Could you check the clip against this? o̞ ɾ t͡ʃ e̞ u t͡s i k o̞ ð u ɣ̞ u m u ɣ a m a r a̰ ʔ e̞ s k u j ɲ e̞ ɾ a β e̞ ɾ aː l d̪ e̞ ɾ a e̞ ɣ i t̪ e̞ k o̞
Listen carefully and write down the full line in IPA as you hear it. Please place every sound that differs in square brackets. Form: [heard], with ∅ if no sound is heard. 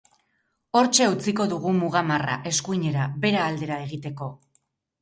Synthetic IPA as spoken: o̞ ɾ t͡ʃ e̞ u t͡s i k o̞ ð u ɣ̞ u m u ɣ a m a r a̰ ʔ e̞ s k u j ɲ e̞ ɾ a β e̞ ɾ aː l d̪ e̞ ɾ a e̞ ɣ i t̪ e̞ k o̞